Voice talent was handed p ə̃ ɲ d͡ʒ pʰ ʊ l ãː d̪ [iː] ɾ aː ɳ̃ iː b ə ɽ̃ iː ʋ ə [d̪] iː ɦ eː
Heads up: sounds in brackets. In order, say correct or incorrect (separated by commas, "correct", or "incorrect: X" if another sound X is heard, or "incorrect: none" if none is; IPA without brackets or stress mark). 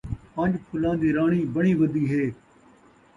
correct, correct